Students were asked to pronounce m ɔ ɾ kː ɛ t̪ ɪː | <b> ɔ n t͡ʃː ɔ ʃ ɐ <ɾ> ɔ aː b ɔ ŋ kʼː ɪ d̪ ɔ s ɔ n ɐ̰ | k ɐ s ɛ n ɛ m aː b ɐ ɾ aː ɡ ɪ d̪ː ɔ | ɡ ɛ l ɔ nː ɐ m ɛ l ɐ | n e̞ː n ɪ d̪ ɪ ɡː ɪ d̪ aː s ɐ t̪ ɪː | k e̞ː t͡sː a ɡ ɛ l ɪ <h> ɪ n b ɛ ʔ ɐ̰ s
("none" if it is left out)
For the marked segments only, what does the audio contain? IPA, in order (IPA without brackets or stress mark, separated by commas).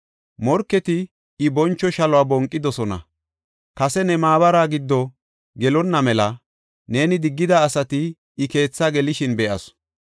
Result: b, l, ʃ